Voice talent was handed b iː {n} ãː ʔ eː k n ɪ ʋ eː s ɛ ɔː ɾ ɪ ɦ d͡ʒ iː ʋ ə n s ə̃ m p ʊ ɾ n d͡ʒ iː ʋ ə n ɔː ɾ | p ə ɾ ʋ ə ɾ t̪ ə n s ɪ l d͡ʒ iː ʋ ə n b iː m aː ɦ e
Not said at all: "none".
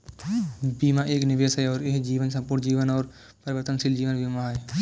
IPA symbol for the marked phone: m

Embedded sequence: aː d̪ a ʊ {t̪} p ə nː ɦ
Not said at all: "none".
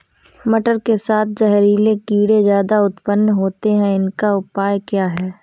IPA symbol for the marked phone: t̪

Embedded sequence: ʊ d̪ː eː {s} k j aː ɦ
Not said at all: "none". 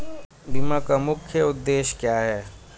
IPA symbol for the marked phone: ʃ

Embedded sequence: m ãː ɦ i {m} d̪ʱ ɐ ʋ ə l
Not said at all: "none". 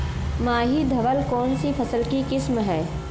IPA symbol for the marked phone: none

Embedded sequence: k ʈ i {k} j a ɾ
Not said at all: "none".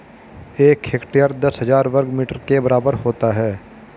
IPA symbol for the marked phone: none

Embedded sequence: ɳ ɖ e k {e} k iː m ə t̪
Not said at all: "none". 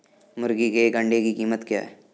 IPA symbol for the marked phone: i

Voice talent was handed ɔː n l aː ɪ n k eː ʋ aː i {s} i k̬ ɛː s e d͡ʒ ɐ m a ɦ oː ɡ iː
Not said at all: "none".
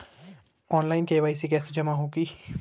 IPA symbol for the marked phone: s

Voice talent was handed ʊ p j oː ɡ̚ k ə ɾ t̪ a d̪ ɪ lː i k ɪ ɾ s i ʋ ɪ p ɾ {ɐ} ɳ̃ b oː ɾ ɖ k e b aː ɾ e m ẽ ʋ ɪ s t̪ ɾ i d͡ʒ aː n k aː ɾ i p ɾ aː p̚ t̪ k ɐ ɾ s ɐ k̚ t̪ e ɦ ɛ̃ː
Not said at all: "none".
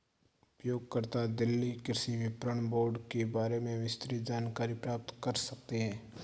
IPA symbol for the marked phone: ə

